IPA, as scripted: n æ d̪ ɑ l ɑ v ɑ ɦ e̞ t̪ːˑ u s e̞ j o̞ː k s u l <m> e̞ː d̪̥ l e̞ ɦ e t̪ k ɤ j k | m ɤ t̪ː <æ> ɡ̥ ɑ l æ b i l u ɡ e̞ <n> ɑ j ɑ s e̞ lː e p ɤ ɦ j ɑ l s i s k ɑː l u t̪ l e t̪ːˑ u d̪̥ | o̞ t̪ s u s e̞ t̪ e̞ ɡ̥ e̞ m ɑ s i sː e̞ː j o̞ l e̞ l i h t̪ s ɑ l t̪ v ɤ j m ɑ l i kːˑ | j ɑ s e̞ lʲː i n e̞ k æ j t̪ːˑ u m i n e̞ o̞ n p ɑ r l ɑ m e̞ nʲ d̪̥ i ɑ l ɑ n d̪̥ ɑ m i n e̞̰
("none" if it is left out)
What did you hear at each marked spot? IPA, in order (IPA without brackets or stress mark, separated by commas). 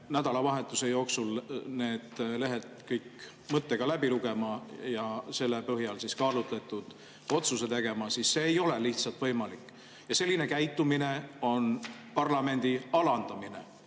n, e, m